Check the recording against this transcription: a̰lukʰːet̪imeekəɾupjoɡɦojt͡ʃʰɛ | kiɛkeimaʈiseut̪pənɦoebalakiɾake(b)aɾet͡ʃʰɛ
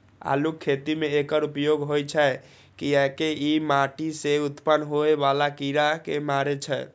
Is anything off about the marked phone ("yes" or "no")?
yes